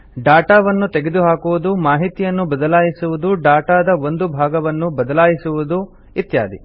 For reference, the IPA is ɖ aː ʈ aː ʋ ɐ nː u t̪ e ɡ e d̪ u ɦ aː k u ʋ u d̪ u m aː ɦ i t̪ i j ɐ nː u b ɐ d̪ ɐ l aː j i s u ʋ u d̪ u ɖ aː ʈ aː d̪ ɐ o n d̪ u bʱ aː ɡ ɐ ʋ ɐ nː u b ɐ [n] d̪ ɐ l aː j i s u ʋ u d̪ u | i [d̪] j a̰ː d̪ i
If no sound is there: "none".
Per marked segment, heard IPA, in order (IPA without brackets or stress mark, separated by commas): none, t̪